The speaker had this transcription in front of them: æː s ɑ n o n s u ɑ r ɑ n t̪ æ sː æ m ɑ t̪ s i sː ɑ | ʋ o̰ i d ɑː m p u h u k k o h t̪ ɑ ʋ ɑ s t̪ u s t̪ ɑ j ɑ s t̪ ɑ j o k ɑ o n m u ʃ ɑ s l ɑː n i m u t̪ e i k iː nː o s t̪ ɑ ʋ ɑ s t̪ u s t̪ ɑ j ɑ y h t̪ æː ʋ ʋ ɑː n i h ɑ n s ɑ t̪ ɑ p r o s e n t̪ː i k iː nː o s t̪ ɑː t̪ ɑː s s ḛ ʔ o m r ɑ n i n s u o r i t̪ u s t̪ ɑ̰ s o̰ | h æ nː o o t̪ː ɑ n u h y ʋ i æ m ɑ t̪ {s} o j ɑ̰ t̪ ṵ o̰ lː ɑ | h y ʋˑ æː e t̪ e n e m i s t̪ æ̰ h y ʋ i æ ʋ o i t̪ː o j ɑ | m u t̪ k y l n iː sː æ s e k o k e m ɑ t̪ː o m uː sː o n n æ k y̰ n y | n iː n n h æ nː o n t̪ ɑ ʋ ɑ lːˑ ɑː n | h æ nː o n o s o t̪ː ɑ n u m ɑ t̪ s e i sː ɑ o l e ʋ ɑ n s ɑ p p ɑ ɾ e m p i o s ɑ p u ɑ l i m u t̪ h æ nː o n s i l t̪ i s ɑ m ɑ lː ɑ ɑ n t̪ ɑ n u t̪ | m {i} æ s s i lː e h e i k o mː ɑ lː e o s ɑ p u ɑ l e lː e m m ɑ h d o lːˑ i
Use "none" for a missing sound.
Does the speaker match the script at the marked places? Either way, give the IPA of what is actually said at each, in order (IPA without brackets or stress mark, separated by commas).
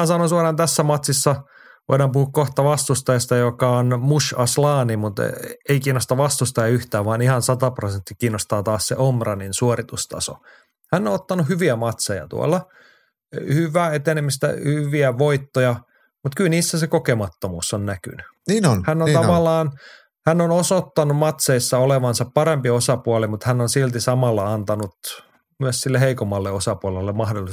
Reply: s, y